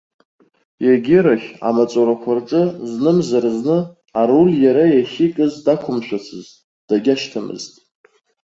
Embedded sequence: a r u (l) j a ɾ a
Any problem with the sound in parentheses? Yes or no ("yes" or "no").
no